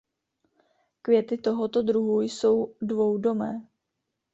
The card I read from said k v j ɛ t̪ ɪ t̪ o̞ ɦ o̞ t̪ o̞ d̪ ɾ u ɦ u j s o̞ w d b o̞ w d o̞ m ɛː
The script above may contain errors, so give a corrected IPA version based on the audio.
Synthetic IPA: k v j ɛ t̪ ɪ t̪ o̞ ɦ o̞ t̪ o̞ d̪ ɾ u ɦ u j s o̞ w d v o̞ w d o̞ m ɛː